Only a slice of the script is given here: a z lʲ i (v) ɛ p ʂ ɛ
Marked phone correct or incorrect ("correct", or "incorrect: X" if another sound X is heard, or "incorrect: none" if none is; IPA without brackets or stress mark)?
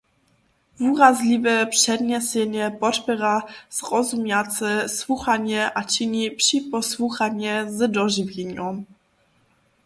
correct